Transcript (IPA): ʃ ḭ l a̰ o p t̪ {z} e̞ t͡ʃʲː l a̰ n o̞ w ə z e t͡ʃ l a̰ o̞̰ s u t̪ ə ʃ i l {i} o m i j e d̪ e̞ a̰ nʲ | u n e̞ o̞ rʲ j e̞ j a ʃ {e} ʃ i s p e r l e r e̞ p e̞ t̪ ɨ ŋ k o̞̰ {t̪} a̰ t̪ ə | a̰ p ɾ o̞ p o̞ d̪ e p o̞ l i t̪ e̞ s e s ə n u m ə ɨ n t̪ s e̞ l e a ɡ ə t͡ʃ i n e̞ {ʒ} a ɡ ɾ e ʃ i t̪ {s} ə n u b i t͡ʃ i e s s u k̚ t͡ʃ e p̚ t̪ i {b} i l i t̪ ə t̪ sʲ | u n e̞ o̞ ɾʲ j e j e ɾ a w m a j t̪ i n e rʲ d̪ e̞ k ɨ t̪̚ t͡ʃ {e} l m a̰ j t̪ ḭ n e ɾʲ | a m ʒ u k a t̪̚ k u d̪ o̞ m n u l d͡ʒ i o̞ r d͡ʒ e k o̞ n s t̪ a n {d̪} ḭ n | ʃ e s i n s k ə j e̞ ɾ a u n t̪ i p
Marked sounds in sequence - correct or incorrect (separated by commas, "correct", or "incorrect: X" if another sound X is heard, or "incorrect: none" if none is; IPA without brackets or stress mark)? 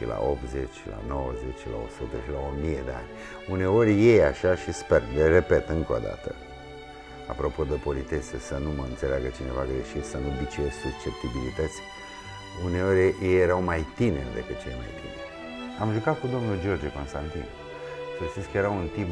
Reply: correct, incorrect: a, incorrect: a, incorrect: d̪, incorrect: v, correct, correct, correct, incorrect: t̪